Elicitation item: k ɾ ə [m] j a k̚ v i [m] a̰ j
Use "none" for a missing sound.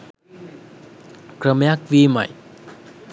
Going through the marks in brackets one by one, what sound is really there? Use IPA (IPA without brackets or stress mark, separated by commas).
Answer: m, m